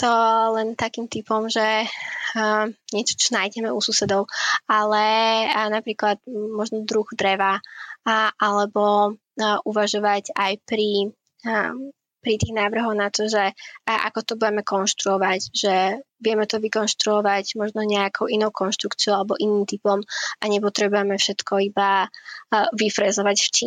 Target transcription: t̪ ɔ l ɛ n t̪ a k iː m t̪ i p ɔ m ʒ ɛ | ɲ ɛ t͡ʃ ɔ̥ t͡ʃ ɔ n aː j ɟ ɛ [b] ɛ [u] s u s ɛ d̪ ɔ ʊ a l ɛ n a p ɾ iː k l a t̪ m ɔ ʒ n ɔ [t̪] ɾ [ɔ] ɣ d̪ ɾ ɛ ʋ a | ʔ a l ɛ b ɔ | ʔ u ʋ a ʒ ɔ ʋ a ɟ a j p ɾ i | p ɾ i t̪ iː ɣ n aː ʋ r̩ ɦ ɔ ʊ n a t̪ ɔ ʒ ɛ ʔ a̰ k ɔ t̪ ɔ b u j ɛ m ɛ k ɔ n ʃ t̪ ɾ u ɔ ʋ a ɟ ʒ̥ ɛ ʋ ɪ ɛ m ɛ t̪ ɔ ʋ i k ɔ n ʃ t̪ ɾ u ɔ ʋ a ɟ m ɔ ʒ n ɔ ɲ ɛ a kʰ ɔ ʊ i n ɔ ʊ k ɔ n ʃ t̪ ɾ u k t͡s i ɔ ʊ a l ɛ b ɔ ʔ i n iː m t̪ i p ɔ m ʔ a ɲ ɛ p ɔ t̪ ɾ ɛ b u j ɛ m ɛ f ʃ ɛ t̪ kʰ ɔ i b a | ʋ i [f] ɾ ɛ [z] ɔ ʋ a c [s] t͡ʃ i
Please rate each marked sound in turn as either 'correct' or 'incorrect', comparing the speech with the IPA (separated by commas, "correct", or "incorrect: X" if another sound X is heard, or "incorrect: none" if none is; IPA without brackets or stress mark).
incorrect: m, correct, incorrect: d̪, incorrect: u, correct, correct, incorrect: f